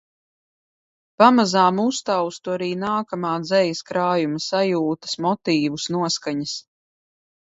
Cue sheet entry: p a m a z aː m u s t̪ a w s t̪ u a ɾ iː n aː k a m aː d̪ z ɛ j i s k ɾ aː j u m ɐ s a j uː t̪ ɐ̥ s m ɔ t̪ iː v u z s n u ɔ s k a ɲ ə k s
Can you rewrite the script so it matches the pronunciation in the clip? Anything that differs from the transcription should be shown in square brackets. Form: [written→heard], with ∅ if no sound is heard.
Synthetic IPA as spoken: p a m a z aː m u s t̪ a w s t̪ u a ɾ iː n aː k a m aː d̪ z ɛ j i s k ɾ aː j u m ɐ s a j uː t̪ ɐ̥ s m ɔ t̪ iː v u [z→∅] s n u ɔ s k a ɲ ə [k→∅] s

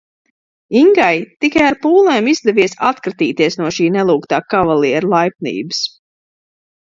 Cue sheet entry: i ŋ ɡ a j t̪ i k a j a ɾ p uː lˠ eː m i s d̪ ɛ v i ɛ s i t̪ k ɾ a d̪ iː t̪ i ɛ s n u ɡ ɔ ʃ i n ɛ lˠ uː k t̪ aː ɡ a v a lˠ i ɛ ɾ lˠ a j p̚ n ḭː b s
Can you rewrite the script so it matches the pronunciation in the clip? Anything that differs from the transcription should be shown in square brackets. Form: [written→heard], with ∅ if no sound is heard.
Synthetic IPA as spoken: i ŋ ɡ a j t̪ i k a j a ɾ p uː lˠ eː m i [s→z] d̪ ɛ v i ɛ s [i→a] t̪ k ɾ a [d̪→t̪] iː t̪ i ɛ s n u [ɡ→∅] ɔ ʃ [i→iː] n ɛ lˠ uː k t̪ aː [ɡ→k] a v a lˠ i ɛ ɾ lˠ a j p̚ n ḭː b s

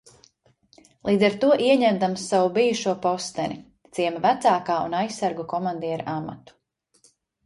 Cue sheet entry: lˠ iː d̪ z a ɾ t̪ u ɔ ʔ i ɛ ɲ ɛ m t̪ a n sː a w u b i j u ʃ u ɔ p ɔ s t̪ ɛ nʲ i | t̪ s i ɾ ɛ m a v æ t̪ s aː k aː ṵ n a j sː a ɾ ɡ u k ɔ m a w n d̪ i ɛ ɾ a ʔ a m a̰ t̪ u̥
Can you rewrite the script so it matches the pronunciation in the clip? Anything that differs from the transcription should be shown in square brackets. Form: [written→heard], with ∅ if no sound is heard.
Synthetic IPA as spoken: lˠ iː d̪ z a ɾ t̪ u ɔ ʔ i ɛ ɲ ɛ m [t̪→d̪] a [n→m] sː a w u b i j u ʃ u ɔ p ɔ s t̪ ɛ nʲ i | t̪ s i [ɾ→∅] ɛ m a v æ t̪ s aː k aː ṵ n a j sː a ɾ ɡ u k ɔ m a [w→∅] n d̪ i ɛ ɾ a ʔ a m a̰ t̪ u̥

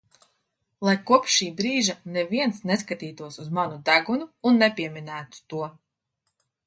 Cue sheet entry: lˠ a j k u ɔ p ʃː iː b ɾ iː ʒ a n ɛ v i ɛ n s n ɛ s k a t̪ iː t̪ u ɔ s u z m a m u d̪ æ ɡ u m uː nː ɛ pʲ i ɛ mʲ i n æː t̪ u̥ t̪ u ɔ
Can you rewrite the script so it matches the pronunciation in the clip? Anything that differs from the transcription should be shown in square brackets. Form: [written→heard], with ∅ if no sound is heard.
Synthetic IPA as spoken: lˠ a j k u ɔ p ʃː iː b ɾ iː ʒ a n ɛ v i ɛ n s n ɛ s k a t̪ iː t̪ u ɔ s u z m a [m→n] u d̪ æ ɡ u [m→n] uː nː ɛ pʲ i ɛ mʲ i n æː t̪ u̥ t̪ u ɔ

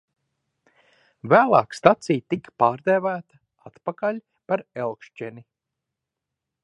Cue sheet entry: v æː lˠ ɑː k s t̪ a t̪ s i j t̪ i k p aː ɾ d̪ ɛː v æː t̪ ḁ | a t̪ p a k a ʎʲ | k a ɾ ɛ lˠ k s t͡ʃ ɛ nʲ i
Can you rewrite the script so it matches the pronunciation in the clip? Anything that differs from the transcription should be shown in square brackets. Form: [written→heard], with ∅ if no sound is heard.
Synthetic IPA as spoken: v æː lˠ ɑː k s t̪ a t̪ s i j t̪ i k p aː ɾ d̪ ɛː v æː t̪ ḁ | a t̪ p a k a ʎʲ | [k→p] a ɾ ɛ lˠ k [s→ʃ] t͡ʃ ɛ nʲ i

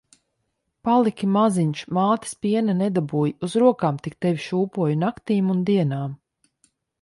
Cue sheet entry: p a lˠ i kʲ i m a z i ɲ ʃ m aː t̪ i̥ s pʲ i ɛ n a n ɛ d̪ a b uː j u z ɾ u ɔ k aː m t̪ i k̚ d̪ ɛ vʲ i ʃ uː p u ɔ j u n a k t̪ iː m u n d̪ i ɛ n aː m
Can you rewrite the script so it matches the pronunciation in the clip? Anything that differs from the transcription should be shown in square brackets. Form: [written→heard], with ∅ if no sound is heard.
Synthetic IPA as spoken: p a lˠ i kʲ i m a z i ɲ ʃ m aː t̪ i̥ s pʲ i ɛ n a n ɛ d̪ a b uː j u z ɾ u ɔ k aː m t̪ i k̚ [d̪→t̪] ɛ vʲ i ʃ uː p u ɔ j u n a k t̪ iː m u n d̪ i ɛ n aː m

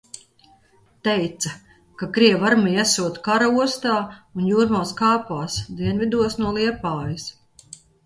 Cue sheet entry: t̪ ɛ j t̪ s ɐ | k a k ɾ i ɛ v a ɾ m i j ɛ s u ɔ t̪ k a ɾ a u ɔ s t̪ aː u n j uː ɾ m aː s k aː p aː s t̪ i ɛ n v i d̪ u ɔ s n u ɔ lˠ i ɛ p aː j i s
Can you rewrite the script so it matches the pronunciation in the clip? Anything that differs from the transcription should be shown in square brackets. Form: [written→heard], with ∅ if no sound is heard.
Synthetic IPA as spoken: t̪ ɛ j t̪ s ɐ | k a k ɾ i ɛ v a ɾ m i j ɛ s u ɔ t̪ k a ɾ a u ɔ s t̪ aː u n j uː ɾ m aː s k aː p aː s [t̪→d̪] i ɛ n v i d̪ u ɔ s n u ɔ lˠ i ɛ p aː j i s

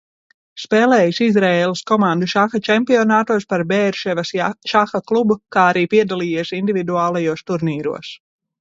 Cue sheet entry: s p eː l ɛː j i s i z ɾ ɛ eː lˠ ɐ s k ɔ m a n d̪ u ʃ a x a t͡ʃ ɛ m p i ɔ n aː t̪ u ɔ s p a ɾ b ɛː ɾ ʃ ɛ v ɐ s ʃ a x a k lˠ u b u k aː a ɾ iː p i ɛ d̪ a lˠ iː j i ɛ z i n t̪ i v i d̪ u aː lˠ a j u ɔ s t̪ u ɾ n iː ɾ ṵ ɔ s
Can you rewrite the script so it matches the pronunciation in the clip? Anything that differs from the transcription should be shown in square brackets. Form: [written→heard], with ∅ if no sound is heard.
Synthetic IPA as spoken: s p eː l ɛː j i s i z ɾ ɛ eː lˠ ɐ s k ɔ m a n d̪ u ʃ a x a t͡ʃ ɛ m p i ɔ n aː t̪ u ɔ s p a ɾ b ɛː ɾ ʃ ɛ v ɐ s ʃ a x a k lˠ u b u k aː a ɾ iː p i ɛ d̪ a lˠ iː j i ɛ [z→s] i n [t̪→d̪] i v i d̪ u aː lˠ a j u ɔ s t̪ u ɾ n iː ɾ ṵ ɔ s

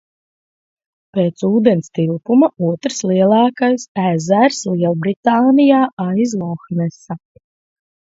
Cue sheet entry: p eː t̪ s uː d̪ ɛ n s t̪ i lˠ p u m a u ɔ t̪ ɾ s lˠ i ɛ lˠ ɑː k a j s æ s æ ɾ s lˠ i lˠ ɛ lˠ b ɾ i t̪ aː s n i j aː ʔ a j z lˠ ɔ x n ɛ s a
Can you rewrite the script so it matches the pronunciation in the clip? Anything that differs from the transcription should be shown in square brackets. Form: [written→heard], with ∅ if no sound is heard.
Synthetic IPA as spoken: p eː t̪ s uː d̪ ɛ n s t̪ i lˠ p u m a u ɔ t̪ ɾ s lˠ i ɛ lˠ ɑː k a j s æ [s→z] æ ɾ s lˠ i [lˠ→∅] ɛ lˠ b ɾ i t̪ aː [s→∅] n i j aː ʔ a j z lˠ ɔ x n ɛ s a

